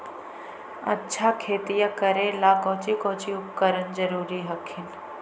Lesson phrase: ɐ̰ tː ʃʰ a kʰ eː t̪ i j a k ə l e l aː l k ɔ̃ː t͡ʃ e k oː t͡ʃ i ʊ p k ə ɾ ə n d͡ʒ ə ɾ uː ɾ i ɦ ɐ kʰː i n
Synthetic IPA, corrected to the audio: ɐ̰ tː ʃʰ a kʰ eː t̪ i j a k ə ɾ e l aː k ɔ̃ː t͡ʃ i k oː t͡ʃ i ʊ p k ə ɾ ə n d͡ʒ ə ɾ uː ɾ i ɦ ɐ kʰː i n

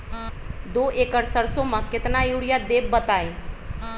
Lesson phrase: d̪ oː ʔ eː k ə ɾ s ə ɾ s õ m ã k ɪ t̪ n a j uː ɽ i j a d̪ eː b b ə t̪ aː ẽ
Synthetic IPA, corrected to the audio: d̪ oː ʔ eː k ə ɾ s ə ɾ s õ m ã k ɪ t̪ n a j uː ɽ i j a d̪ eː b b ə t̪ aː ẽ

